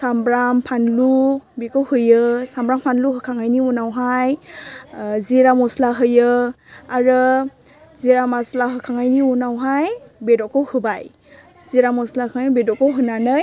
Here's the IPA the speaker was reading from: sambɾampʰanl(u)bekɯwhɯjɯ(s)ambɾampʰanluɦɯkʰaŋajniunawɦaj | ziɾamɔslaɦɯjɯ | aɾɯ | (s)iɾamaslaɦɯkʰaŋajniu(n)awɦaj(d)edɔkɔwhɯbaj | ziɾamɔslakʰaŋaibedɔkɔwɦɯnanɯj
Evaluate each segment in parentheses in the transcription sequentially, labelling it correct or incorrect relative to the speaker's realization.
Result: correct, correct, incorrect, correct, incorrect

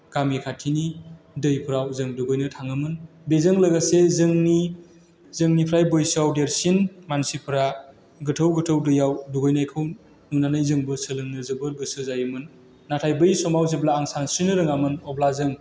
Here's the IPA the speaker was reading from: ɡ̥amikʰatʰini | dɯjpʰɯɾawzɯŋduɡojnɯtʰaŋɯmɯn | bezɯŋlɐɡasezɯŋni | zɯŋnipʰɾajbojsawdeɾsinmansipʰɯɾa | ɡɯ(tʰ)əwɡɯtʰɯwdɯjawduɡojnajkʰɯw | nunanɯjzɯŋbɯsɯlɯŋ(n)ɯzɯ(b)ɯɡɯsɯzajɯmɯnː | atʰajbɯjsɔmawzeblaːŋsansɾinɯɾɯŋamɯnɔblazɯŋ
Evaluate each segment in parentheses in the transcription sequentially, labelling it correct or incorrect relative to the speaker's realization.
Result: correct, correct, correct

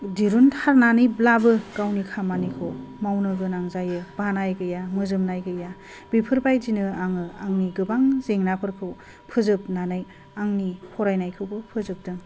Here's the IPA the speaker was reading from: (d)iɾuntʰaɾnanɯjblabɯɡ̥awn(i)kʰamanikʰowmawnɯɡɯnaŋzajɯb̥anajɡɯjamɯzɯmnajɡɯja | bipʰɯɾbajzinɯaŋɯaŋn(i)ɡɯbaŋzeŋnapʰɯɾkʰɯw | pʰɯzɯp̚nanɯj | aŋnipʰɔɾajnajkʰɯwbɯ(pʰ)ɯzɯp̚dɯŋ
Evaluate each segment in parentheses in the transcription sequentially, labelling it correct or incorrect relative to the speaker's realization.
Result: correct, correct, correct, correct

